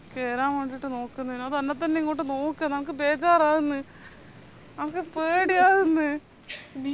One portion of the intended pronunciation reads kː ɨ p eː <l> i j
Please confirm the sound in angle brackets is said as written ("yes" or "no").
no